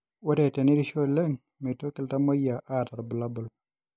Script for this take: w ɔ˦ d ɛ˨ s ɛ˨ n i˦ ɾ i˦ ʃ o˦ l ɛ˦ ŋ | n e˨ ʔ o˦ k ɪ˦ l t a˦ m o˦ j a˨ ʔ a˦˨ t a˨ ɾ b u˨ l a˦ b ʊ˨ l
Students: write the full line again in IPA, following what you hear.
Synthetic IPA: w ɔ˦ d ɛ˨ t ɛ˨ n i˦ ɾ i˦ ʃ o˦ l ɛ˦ ŋ | m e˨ t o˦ k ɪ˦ l t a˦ m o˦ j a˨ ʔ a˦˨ t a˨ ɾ b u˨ l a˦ b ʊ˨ l